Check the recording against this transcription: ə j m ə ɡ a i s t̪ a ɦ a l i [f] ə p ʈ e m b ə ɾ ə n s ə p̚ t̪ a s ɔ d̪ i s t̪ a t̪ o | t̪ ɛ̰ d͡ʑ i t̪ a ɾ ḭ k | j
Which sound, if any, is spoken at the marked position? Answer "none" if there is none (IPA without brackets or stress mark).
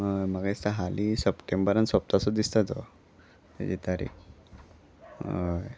s